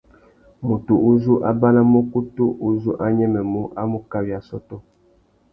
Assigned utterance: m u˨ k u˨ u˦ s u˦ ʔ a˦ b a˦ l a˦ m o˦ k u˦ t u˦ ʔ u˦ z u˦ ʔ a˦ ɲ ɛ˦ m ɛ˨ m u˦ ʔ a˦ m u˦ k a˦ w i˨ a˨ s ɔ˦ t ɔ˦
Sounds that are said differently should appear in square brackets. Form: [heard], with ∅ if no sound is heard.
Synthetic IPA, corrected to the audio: m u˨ [t] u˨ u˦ [z] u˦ ʔ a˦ b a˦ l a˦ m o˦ k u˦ t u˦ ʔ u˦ z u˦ ʔ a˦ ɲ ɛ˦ m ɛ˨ m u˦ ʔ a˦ m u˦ k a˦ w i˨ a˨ s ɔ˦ t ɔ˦

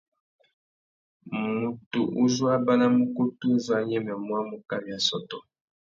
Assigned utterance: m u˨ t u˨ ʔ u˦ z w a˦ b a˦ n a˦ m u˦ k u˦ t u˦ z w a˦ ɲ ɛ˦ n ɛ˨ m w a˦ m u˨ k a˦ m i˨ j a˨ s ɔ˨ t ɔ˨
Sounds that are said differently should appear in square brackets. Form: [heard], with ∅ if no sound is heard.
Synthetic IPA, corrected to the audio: m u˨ t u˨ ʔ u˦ z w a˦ b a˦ n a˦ m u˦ k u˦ t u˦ z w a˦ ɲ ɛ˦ [m] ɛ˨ m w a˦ m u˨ k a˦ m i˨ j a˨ s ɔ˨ t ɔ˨

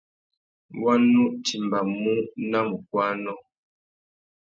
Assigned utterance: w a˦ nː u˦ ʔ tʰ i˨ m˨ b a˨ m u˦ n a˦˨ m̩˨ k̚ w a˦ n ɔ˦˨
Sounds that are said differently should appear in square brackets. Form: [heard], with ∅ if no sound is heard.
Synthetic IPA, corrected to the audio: w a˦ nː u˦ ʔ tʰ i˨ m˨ b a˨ m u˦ n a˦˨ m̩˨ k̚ w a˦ n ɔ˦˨

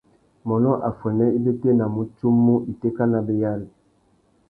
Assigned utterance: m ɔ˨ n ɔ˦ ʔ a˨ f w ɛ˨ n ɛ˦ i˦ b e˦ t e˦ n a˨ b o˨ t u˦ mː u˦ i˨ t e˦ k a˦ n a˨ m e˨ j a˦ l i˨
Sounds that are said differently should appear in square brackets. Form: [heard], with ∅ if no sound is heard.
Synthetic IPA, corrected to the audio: m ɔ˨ n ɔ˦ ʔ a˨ f w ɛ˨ n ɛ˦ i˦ b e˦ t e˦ n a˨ [m] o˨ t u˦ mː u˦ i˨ t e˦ k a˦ n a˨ [b] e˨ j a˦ l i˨

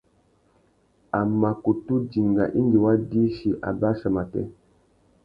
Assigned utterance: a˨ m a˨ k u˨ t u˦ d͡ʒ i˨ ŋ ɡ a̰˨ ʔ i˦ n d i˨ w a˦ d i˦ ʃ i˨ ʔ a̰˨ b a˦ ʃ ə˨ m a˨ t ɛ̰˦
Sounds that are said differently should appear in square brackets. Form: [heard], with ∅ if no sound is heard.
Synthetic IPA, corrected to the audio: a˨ m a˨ k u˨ t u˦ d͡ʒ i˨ ŋ ɡ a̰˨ ʔ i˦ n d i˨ w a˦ d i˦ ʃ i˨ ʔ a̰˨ b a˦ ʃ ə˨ m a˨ t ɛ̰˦

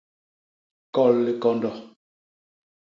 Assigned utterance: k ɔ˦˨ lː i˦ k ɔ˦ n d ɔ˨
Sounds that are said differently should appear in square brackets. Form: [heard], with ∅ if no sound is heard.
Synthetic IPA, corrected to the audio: k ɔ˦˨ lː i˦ k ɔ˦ n d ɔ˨

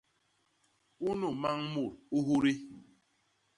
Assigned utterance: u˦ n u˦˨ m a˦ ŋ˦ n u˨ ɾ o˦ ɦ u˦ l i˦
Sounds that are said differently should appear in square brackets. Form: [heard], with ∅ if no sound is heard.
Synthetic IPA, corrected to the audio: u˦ n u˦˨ m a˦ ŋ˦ [m] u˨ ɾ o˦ ɦ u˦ [ɾ] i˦

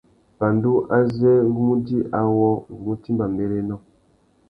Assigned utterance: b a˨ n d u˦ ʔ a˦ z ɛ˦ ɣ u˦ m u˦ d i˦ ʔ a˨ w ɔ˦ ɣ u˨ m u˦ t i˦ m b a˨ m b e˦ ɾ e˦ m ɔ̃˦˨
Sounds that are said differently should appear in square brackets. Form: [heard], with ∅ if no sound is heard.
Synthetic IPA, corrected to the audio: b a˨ n d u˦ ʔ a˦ z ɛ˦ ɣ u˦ m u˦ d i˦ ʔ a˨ w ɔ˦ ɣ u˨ m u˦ t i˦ m b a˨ m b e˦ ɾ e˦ [n] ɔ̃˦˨

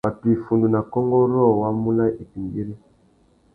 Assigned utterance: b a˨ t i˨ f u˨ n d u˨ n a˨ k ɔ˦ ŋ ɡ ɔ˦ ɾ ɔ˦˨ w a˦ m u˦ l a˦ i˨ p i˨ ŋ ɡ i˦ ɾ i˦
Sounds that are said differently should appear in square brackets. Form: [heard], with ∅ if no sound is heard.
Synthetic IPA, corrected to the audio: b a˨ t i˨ f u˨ n d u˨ n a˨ k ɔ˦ ŋ ɡ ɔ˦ ɾ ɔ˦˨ w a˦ m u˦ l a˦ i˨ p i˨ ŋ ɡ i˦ ɾ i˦

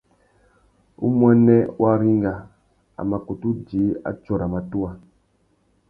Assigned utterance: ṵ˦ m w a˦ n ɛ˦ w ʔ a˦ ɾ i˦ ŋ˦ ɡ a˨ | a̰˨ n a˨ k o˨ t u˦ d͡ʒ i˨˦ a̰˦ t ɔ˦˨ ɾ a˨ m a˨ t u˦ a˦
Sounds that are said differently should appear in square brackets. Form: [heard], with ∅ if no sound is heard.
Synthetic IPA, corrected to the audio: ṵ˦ m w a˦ n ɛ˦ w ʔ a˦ ɾ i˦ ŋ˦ ɡ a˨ | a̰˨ [m] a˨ k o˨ t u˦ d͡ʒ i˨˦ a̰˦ [t͡ʃ] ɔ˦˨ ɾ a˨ m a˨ t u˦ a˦

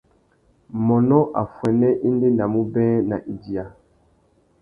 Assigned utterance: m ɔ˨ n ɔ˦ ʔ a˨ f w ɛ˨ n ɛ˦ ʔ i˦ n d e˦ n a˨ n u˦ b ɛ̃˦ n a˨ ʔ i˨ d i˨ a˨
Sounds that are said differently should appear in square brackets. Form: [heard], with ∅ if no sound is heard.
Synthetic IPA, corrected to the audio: m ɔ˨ n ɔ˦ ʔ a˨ f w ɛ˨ n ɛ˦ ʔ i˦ n d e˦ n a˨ [m] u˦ b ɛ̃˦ n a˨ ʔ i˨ d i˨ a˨

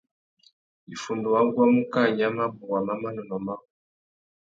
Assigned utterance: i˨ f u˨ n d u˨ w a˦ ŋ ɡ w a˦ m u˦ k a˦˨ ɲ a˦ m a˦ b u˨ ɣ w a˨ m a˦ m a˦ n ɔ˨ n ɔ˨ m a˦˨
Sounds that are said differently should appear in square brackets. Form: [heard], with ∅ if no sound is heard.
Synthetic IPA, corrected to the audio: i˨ f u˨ n d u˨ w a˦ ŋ ɡ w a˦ m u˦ k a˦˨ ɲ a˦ m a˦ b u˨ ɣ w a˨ m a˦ m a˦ n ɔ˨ n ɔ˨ m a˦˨

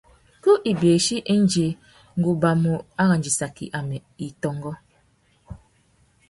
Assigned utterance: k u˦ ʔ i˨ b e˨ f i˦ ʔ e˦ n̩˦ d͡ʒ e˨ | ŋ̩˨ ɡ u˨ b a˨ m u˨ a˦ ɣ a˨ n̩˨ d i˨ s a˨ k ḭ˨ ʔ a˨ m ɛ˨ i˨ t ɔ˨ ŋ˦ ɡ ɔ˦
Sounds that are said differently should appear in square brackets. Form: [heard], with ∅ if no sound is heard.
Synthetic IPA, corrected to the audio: k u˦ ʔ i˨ b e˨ [ʃ] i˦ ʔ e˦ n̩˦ d͡ʒ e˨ | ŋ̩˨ ɡ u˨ b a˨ m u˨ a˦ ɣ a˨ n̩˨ [d͡ʒ] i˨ s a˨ k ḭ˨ ʔ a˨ m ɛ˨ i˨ t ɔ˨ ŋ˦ ɡ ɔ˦

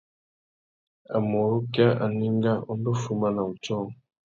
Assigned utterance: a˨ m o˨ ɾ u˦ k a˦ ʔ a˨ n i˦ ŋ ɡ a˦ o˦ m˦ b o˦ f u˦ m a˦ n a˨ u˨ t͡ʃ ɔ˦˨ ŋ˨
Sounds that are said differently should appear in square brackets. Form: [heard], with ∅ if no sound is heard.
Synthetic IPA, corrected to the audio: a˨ m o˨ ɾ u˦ k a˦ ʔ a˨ n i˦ ŋ ɡ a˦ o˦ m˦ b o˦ f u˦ m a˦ n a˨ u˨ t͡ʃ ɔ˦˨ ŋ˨

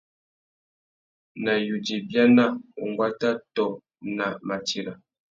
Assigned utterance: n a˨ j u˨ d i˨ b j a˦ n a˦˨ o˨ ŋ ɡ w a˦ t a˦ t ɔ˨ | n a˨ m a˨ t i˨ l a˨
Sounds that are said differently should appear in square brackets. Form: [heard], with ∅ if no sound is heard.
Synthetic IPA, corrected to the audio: n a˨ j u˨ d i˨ b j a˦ n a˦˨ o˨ ŋ ɡ w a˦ t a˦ t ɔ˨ | n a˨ m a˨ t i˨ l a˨

